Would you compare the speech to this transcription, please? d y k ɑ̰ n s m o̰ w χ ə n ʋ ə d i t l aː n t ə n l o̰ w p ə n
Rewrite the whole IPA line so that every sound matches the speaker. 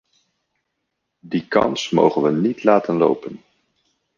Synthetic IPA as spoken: d i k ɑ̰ n s m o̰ w χ ə n ʋ ə n i t l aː t ə n l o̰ w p ə n